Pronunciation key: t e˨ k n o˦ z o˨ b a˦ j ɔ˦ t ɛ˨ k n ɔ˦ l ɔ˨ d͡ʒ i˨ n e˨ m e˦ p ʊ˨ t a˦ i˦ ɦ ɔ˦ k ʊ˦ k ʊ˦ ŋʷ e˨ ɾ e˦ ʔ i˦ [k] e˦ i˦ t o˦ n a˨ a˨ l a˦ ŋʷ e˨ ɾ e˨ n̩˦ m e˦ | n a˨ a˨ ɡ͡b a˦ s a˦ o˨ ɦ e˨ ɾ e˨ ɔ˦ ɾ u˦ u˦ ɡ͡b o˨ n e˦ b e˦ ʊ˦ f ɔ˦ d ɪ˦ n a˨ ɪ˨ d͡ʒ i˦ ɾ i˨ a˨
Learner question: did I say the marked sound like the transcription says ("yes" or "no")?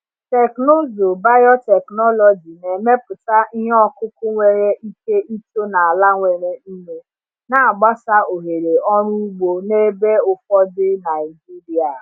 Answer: yes